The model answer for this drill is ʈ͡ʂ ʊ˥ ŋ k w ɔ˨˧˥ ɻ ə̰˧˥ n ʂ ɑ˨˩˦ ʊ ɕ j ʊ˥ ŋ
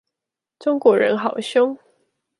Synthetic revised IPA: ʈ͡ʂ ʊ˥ ŋ k w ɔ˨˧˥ ɻ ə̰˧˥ n x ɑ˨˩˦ ʊ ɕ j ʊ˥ ŋ